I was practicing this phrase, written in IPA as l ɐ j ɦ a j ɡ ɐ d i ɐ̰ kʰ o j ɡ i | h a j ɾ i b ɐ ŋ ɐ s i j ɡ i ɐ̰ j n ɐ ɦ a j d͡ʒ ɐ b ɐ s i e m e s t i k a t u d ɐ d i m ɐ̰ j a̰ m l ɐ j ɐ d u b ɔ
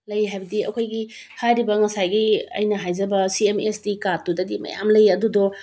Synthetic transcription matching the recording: l ɐ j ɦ a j b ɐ d i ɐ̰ kʰ o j ɡ i | h a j ɾ i b ɐ ŋ ɐ s a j ɡ i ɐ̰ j n ɐ ɦ a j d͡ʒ ɐ b ɐ s i e m e s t i k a t u d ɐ d i m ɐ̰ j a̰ m l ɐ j ɐ d u d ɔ